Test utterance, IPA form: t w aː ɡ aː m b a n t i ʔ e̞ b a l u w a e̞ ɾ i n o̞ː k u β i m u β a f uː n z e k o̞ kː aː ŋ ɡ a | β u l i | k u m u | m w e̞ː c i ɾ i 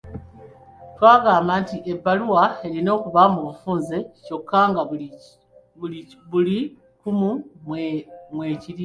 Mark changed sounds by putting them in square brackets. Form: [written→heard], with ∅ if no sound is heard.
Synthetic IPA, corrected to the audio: t w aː ɡ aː m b a n t i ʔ e̞ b a l u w a e̞ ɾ i n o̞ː k u β [i→a] m u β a f uː n z e [k→c] o̞ kː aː ŋ ɡ a | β u l i | k u m u | m w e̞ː c i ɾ i